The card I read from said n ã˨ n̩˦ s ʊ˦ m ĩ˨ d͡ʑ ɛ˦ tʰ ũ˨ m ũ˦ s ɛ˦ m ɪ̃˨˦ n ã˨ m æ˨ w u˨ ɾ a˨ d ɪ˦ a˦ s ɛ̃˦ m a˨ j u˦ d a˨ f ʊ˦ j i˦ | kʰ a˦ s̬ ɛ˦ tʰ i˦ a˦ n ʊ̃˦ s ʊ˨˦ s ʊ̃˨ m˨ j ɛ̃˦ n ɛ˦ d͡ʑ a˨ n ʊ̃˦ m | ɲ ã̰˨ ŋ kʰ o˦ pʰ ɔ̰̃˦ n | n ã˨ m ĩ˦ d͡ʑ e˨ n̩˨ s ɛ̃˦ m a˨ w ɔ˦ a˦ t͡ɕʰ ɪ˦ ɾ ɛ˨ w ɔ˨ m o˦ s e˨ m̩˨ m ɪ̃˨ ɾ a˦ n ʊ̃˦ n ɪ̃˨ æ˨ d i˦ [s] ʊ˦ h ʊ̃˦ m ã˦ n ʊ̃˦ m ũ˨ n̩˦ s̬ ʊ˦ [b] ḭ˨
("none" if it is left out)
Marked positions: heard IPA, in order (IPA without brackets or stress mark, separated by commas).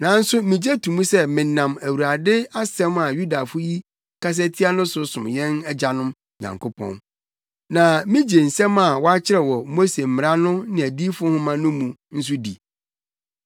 f, d